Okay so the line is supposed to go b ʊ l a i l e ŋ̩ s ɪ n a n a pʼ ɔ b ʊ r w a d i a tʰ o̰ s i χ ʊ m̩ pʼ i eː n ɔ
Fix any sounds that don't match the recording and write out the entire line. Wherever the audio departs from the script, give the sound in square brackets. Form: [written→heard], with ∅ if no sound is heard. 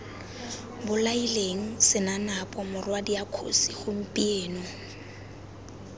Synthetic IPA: b ʊ l a i l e ŋ̩ s ɪ n a n a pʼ ɔ [b→m] ʊ r w a d i a [tʰ→kʰ] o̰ s i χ ʊ m̩ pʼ i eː n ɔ